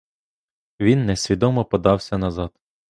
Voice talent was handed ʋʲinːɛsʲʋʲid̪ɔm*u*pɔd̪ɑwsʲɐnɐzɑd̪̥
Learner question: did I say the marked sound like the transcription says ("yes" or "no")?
no